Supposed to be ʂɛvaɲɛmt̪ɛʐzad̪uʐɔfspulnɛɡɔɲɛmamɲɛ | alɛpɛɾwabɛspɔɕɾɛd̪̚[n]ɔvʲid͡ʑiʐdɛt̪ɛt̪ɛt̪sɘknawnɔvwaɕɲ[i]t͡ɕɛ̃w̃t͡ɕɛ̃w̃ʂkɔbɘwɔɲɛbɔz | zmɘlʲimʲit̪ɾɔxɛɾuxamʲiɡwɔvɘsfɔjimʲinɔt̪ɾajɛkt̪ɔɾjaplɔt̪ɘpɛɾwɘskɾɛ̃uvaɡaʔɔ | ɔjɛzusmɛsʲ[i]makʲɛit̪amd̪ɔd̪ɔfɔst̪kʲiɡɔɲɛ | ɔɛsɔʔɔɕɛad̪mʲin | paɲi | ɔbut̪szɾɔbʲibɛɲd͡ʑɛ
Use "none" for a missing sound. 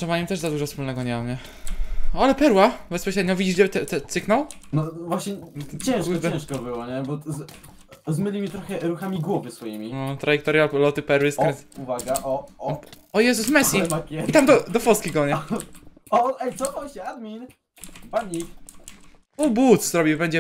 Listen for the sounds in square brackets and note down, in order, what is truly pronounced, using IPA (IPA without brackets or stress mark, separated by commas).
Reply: ɲ, ɛ, i